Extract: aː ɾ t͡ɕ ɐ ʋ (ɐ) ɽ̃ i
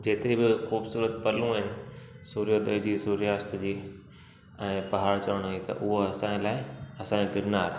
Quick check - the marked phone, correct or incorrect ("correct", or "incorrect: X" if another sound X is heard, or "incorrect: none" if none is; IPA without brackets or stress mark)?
incorrect: ə